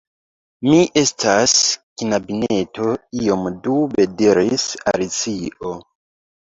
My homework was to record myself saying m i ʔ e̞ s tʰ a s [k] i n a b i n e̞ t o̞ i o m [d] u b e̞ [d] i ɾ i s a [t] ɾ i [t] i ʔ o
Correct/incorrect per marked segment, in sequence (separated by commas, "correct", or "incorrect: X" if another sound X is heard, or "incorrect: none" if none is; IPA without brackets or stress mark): correct, correct, correct, incorrect: none, incorrect: t͡s